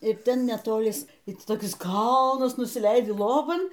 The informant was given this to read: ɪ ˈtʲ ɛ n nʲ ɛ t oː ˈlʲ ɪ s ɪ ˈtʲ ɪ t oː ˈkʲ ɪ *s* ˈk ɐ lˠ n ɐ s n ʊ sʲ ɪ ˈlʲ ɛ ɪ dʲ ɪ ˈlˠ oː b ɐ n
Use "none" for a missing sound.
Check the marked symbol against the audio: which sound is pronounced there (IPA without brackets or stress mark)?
s